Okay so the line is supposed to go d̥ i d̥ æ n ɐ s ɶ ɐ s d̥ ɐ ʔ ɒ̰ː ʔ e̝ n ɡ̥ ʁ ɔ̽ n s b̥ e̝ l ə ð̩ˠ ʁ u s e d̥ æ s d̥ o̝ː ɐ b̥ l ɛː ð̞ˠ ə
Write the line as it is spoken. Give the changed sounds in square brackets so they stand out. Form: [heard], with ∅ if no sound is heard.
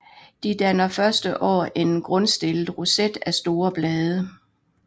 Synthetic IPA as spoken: d̥ i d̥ æ n ɐ [f] ɶ ɐ s d̥ [ə] ʔ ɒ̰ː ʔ e̝ n ɡ̥ ʁ ɔ̽ n s [d̥] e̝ l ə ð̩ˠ ʁ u s e d̥ æ s d̥ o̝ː ɐ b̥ l ɛː ð̞ˠ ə